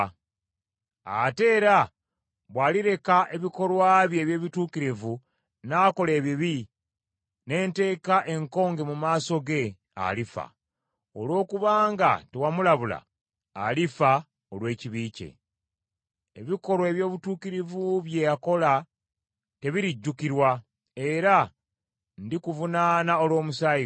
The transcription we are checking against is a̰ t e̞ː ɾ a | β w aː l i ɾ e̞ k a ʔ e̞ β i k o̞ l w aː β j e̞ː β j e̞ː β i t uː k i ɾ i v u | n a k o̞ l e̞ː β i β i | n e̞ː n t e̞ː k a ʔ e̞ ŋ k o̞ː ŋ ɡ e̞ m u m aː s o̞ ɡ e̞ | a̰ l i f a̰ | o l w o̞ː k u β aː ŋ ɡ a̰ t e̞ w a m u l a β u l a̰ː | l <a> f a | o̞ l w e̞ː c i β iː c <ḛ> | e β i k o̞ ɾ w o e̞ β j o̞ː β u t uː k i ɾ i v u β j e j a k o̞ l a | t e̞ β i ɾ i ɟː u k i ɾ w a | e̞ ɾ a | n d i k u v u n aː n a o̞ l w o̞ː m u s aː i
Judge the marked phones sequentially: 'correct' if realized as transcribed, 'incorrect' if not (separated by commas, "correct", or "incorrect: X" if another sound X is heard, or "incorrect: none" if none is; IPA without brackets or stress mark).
incorrect: i, correct